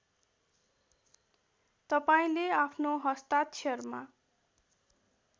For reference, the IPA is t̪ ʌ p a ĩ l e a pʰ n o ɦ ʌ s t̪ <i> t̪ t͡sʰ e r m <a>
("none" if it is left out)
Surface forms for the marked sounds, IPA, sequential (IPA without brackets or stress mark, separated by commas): a, a